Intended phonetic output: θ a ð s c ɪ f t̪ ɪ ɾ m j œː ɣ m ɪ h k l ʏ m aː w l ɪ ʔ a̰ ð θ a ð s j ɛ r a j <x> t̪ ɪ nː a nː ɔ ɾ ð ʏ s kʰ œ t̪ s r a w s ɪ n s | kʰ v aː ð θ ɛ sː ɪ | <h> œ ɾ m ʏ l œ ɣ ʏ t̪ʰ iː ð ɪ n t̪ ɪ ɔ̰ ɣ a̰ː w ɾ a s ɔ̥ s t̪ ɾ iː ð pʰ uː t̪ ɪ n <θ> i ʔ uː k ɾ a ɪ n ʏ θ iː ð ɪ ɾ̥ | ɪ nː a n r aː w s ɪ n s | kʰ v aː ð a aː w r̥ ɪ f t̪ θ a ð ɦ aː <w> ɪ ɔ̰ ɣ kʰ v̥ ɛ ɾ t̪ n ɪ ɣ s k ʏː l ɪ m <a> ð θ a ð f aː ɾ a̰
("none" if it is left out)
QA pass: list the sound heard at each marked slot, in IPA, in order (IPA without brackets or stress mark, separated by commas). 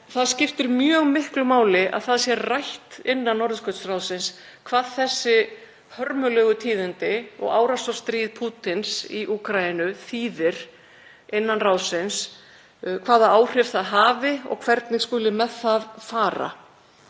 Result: h, h, s, v, ɛ